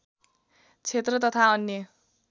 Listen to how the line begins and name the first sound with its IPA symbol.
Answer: t͡sʰ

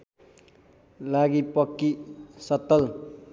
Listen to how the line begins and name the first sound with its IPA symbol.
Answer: l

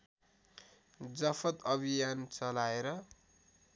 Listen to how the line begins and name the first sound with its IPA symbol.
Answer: d͡z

